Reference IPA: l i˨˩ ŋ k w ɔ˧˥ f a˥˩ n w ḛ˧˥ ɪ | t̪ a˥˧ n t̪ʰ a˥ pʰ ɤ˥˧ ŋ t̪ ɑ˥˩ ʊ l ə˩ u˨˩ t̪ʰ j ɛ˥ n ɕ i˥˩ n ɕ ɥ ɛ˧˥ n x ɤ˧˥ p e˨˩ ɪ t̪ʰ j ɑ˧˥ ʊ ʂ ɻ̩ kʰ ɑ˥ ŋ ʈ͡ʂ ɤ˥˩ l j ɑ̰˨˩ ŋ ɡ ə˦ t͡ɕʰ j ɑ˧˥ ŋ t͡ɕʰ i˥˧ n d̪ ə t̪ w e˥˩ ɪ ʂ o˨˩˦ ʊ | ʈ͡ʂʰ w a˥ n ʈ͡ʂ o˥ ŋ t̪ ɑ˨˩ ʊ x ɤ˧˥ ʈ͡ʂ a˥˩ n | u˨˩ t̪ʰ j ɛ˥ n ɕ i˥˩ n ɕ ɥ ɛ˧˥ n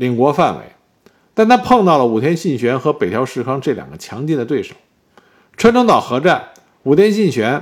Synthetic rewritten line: l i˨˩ ŋ k w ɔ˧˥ f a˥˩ n w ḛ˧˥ ɪ | t̪ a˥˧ n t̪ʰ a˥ pʰ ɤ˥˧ ŋ t̪ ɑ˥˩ ʊ l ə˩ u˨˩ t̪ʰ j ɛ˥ n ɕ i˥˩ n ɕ ɥ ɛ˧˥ n x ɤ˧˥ p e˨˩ ɪ t̪ʰ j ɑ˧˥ ʊ ʂ ɻ̩ kʰ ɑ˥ ŋ ʈ͡ʂ ɤ˥˩ l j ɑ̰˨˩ ŋ ɡ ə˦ t͡ɕʰ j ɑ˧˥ ŋ t͡ɕ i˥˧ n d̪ ə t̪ w e˥˩ ɪ ʂ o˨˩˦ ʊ | ʈ͡ʂʰ w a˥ n ʈ͡ʂ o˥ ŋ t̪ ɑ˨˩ ʊ x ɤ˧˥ ʈ͡ʂ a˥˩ n | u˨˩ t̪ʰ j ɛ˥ n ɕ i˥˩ n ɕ ɥ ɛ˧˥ n